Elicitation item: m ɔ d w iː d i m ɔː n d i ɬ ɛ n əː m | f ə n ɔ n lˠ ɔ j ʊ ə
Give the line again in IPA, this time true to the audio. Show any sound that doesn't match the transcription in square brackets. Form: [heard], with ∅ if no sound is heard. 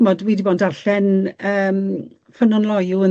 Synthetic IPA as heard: m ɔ d w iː d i [b] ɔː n d [a] ɬ ɛ n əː m | f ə n ɔ n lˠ ɔ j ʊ ə